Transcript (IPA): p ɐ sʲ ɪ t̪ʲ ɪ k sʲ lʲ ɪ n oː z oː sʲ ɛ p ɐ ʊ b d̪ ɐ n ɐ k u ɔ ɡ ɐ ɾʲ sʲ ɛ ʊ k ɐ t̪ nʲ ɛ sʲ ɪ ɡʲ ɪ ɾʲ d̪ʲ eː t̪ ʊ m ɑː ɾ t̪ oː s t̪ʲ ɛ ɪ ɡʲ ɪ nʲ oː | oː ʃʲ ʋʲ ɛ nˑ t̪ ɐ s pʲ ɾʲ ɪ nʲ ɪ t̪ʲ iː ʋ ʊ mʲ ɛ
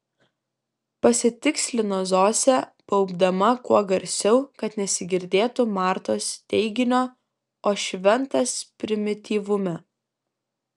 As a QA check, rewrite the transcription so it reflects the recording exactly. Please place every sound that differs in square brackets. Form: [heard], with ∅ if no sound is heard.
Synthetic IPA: p ɐ sʲ ɪ t̪ʲ ɪ k sʲ lʲ ɪ n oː z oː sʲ ɛ p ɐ ʊ b d̪ ɐ [m] ɐ k u ɔ ɡ ɐ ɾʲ sʲ ɛ ʊ k ɐ t̪ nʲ ɛ sʲ ɪ ɡʲ ɪ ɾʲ d̪ʲ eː t̪ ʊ m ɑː ɾ t̪ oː s t̪ʲ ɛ ɪ ɡʲ ɪ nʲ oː | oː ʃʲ ʋʲ ɛ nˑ t̪ ɐ s pʲ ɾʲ ɪ [mʲ] ɪ t̪ʲ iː ʋ ʊ mʲ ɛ